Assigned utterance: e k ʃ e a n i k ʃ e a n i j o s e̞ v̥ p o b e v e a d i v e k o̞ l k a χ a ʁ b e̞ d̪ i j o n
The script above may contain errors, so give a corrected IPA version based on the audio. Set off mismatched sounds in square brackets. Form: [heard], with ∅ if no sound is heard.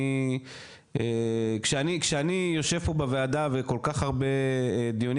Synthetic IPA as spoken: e k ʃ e a n i k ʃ e a n i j o [ʃ] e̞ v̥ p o b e v e a d [a] v e k o̞ l k a χ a ʁ b e̞ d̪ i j o n